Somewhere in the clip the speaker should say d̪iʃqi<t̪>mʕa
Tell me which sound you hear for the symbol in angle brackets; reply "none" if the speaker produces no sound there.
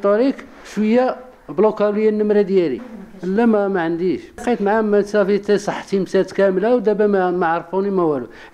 t̪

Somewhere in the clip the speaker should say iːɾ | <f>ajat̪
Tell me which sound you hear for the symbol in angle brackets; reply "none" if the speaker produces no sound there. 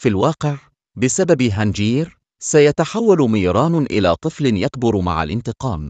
s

